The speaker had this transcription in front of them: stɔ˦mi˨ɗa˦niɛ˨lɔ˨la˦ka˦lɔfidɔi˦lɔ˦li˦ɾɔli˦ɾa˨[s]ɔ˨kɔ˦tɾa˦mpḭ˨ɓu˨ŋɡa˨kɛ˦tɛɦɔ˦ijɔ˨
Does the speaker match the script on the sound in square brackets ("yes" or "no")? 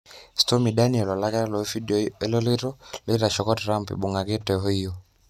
no